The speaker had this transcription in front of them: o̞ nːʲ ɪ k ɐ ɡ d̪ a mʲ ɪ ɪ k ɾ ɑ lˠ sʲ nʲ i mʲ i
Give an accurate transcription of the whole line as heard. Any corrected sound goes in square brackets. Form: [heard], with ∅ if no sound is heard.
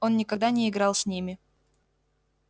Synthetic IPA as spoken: o̞ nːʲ ɪ k ɐ ɡ d̪ a [nʲ] ɪ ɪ [ɡ] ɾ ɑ lˠ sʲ nʲ i mʲ [ɪ]